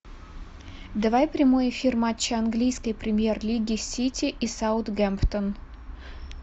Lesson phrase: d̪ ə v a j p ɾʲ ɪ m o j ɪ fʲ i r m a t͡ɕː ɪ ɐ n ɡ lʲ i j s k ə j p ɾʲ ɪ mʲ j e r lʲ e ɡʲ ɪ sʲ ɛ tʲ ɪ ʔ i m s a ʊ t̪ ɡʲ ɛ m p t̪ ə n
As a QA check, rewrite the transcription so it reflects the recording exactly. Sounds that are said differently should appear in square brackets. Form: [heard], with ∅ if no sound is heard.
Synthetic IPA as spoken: d̪ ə v a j p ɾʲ ɪ m o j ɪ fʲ i r m a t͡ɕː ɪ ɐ n ɡ lʲ i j s k ə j p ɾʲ ɪ mʲ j e r lʲ [i] ɡʲ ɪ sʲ [i] tʲ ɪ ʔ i [∅] s a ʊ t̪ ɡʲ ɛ m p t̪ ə n